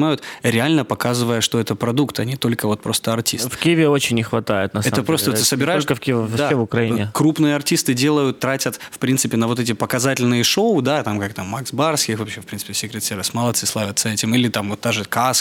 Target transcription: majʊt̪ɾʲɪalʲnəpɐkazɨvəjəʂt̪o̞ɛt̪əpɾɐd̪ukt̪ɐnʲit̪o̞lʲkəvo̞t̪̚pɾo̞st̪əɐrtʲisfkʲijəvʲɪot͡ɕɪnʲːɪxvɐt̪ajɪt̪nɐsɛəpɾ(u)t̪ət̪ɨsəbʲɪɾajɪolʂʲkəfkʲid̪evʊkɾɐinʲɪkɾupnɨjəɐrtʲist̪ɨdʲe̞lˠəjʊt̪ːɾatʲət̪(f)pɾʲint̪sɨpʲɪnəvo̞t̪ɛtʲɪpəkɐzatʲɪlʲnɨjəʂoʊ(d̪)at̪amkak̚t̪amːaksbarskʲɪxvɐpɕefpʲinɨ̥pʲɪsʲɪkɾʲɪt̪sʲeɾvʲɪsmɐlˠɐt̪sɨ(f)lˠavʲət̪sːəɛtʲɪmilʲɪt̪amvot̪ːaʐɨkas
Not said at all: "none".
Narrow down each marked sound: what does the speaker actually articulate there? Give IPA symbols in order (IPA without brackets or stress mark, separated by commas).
o, f, d̪, s